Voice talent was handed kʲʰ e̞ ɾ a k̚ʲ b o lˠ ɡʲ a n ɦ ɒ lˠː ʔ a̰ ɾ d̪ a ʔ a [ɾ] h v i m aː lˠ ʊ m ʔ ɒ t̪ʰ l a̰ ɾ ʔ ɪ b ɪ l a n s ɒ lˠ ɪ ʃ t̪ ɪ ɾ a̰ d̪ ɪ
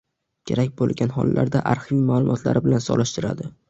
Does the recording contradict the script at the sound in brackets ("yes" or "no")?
no